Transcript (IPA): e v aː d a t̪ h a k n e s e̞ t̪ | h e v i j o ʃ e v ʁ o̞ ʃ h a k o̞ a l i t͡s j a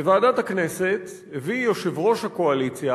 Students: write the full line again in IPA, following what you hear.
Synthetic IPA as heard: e v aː d a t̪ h a k n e s e̞ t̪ | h e v i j o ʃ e v ʁ o̞ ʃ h a k o̞ a l i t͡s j a